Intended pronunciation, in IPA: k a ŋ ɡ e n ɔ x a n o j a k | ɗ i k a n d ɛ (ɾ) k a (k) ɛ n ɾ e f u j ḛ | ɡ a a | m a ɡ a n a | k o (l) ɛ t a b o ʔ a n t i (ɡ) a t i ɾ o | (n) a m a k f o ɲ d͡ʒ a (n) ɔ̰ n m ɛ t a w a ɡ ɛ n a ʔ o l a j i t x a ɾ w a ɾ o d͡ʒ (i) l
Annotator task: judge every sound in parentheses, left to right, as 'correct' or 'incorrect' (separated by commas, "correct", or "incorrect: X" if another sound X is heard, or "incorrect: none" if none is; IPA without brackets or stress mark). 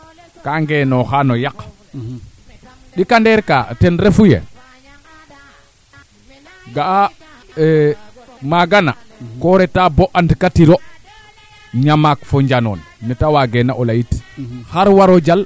correct, incorrect: t, incorrect: ɾ, incorrect: k, incorrect: ɲ, correct, incorrect: a